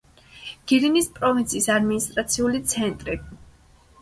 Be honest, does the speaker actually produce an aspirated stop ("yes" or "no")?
no